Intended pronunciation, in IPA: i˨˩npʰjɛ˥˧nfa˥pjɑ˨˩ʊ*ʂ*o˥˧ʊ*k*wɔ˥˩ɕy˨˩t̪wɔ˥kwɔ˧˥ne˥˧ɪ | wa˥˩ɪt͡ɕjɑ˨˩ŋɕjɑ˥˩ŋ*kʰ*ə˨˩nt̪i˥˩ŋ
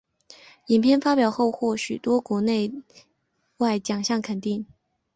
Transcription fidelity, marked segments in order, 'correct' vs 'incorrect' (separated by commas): incorrect, incorrect, correct